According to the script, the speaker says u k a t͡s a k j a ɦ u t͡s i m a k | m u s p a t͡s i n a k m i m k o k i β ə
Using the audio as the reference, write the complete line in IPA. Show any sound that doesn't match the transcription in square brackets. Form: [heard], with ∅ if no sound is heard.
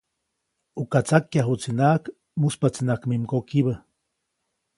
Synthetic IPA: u k a t͡s a k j a ɦ u t͡s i [n] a k | m u s p a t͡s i n a k m i m k o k i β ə